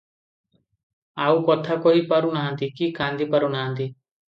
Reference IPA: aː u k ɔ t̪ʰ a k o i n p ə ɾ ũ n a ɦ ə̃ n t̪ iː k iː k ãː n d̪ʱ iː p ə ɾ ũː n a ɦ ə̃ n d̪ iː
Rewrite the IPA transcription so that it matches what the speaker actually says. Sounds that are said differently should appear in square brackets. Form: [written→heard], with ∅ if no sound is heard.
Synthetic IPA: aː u k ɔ t̪ʰ a k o i [n→∅] p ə ɾ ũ n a ɦ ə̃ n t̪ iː k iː k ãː n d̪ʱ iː p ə ɾ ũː n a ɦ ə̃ n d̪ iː